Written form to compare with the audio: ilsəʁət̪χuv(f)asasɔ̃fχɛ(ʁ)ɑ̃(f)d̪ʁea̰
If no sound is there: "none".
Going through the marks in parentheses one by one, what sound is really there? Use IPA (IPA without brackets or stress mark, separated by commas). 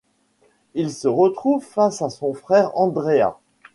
f, ʁ, none